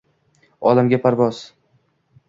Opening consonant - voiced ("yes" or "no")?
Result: yes